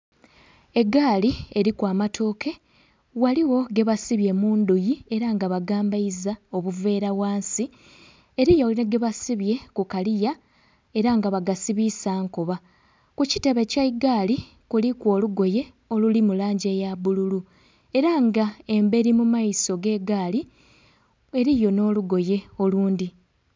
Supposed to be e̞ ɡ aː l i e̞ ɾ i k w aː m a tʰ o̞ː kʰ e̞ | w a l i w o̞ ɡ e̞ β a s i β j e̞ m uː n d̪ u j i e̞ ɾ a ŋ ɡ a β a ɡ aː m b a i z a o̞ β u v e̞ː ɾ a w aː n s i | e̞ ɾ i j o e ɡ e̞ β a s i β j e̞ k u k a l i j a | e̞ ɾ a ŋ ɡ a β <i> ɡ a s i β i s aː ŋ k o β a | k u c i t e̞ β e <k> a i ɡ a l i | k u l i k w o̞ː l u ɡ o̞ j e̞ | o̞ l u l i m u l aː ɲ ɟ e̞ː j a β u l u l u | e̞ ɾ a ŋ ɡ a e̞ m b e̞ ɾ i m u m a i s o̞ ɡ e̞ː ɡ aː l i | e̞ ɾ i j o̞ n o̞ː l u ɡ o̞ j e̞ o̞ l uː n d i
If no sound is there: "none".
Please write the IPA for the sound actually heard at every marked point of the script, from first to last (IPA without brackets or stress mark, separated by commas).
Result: a, c